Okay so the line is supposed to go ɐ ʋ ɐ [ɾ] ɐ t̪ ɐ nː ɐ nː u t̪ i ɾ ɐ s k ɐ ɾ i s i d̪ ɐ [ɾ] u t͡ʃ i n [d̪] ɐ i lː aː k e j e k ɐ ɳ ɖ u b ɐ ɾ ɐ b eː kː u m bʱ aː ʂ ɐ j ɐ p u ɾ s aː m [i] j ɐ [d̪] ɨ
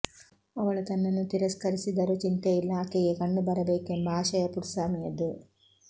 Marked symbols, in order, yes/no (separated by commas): no, yes, no, yes, yes